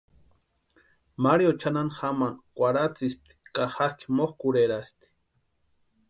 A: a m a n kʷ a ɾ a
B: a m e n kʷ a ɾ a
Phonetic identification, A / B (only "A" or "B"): A